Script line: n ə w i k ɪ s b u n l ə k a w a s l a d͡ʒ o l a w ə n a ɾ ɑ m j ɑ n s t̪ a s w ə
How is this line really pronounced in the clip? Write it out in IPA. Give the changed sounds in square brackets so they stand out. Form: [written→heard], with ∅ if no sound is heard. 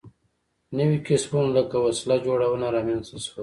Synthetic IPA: n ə w i k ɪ s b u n l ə k a w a s l a d͡ʒ o [l→ɽ] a w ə n a ɾ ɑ m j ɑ n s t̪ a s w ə